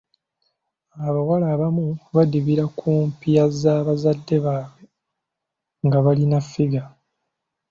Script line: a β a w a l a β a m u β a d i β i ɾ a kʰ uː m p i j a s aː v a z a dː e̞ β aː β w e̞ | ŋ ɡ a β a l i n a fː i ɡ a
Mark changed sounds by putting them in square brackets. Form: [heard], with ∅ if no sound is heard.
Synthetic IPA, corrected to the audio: a β a w a l a β a m u β a d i β i ɾ a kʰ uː m p i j a [z] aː [β] a z a dː e̞ β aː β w e̞ | ŋ ɡ a β a l i n a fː i ɡ a